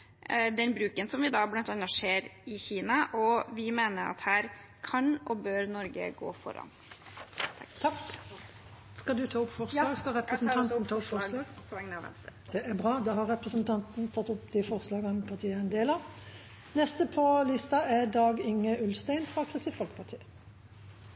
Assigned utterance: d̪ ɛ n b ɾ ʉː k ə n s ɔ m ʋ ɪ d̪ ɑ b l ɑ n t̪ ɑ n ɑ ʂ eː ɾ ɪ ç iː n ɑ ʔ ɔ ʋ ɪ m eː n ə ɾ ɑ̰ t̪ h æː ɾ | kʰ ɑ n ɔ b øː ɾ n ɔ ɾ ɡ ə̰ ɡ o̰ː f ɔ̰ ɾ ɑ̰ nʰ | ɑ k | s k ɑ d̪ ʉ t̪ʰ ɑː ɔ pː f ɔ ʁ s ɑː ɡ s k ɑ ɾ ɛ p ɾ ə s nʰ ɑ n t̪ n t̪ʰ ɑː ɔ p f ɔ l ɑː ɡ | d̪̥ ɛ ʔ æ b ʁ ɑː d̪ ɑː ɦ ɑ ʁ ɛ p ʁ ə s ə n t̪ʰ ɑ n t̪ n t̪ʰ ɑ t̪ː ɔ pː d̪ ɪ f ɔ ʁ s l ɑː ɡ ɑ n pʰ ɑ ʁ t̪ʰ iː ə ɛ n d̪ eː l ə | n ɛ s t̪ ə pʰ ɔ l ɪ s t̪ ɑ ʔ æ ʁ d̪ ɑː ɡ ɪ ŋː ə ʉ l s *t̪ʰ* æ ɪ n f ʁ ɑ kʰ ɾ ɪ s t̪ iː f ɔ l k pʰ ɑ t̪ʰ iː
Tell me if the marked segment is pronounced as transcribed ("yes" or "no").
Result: no